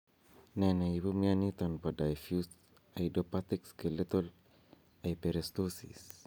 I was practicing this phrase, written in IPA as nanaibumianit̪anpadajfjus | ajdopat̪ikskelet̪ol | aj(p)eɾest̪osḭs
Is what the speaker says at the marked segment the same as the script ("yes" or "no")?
yes